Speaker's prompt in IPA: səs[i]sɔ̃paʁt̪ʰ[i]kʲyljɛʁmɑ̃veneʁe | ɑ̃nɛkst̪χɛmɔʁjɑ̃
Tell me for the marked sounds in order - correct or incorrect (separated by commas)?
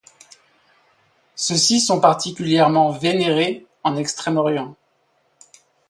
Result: correct, correct